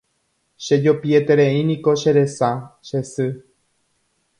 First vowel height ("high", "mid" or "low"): mid